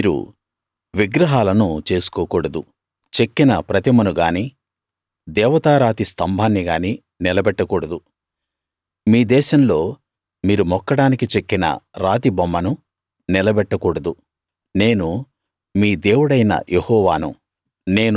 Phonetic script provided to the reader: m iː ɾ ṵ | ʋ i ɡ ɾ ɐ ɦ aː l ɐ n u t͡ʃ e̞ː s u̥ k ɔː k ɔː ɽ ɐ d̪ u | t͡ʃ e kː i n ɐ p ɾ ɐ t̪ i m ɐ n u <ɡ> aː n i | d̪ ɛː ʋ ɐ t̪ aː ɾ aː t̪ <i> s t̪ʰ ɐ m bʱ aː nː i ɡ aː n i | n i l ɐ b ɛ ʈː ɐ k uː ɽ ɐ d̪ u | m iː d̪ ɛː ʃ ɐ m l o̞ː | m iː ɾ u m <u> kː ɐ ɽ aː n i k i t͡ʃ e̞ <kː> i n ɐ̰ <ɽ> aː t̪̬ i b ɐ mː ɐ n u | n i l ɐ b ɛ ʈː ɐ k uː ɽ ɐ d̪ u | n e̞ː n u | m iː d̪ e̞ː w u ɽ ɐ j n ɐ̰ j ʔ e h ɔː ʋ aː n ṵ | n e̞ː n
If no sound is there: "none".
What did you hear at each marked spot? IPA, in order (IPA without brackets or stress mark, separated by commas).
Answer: ɡ, i, ɔ, kː, ɾ